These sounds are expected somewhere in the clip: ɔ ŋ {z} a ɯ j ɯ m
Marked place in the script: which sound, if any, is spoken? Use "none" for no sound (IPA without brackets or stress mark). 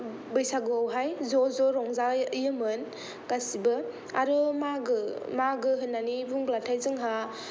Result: z